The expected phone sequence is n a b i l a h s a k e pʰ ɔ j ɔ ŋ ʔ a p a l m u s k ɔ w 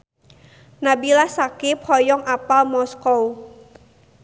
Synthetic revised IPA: n a b i l a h s a k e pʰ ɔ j ɔ ŋ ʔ a p a l m ɔ s k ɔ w

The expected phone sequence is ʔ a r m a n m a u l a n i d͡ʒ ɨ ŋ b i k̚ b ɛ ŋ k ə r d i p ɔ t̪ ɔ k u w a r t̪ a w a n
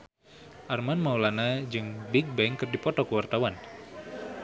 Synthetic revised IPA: ʔ a r m a n m a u l a n a d͡ʒ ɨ ŋ b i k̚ b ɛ ŋ k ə r d i p ɔ t̪ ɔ k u w a r t̪ a w a n

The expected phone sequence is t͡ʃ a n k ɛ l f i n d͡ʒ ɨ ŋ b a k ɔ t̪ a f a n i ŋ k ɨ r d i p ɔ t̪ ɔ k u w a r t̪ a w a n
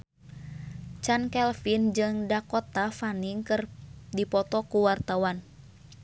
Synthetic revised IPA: t͡ʃ a n k ɛ l f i n d͡ʒ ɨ ŋ d a k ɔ t̪ a f a n i ŋ k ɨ r d i p ɔ t̪ ɔ k u w a r t̪ a w a n

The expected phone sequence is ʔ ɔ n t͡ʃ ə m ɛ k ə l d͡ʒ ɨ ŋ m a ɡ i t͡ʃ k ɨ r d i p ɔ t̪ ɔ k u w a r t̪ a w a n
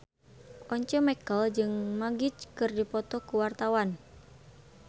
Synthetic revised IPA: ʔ ɔ ɲ t͡ʃ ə m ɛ k ə l d͡ʒ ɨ ŋ m a ɡ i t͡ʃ k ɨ r d i p ɔ t̪ ɔ k u w a r t̪ a w a n

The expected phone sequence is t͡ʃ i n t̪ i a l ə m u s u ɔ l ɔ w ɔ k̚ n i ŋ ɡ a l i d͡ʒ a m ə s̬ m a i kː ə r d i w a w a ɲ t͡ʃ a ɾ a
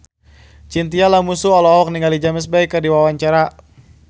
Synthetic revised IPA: t͡ʃ i n t̪ i a l a m u s u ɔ l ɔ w ɔ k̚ n i ŋ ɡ a l i d͡ʒ a m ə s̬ b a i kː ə r d i w a w a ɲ t͡ʃ a ɾ a

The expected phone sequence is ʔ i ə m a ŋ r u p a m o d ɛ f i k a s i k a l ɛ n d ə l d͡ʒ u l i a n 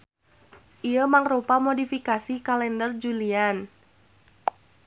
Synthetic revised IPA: ʔ i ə m a ŋ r u p a m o d i f i k a s i k a l ɛ n d ə r d͡ʒ u l i a n

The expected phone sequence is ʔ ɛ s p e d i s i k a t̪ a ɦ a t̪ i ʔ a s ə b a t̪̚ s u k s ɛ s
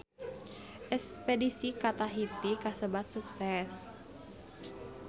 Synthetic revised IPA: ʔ ɛ s p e d i s i k a t̪ a ɦ i t̪ i k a s ə b a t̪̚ s u k s ɛ s

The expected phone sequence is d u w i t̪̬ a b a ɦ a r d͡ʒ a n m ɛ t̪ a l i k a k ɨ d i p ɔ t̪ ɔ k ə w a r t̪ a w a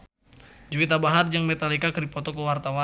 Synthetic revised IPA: d͡ʒ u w i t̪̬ a b a ɦ a r d͡ʒ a ŋ m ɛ t̪ a l i k a k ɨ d i p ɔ t̪ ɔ k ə w a r t̪ a w a

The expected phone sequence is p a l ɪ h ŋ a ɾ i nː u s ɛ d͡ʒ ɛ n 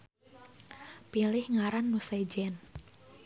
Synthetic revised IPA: p i l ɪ h ŋ a ɾ a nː u s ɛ d͡ʒ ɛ n

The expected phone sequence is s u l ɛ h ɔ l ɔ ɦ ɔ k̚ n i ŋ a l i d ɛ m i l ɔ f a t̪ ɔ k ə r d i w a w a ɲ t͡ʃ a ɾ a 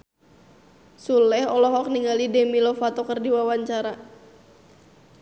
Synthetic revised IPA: s u l ɛ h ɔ l ɔ ɦ ɔ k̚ n i ŋ a l i d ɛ m i l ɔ f a t̪ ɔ k ə r d i w a w a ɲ t͡ʃ a ɾ a

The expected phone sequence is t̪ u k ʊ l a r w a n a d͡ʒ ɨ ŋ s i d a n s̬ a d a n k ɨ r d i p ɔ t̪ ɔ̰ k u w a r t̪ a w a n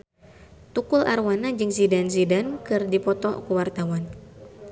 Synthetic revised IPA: t̪ u k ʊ l a r w a n a d͡ʒ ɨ ŋ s i d a n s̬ i d a n k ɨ r d i p ɔ t̪ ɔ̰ k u w a r t̪ a w a n

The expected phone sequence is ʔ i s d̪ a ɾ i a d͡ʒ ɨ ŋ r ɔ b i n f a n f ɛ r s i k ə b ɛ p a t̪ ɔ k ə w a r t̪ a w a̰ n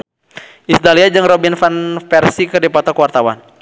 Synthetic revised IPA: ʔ i s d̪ a l i a d͡ʒ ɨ ŋ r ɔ b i n f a n f ɛ r s i k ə d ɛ p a t̪ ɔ k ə w a r t̪ a w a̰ n

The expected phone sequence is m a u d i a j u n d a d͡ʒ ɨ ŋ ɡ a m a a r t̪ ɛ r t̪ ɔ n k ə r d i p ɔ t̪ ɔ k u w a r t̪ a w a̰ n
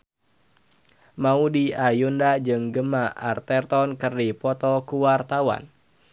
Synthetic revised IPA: m a u d i a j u n d a d͡ʒ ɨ ŋ ɡ ə m a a r t̪ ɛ r t̪ ɔ n k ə r d i p ɔ t̪ ɔ k u w a r t̪ a w a̰ n

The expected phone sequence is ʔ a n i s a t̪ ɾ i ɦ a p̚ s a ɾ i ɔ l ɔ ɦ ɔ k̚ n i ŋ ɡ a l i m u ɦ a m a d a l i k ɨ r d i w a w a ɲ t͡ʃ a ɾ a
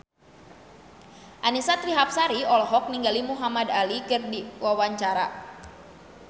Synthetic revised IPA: ʔ a n i s a t̪ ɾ i ɦ a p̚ s a ɾ i ɔ l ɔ ɦ ɔ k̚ n i ŋ ɡ a l i m u ɦ a m a d a l i k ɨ r d i w a w a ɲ t͡ʃ a ɾ a

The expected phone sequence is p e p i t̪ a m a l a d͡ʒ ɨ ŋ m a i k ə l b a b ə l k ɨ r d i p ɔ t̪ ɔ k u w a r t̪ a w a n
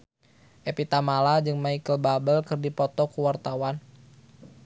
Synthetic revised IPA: ʔ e p i t̪ a m a l a d͡ʒ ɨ ŋ m a i k ə l b a b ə l k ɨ r d i p ɔ t̪ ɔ k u w a r t̪ a w a n

